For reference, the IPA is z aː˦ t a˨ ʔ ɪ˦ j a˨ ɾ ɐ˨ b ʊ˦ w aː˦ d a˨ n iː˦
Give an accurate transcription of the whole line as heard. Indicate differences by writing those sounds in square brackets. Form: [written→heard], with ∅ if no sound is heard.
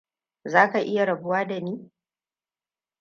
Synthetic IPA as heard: z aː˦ [t→k] a˨ ʔ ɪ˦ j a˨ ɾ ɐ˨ b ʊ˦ w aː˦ d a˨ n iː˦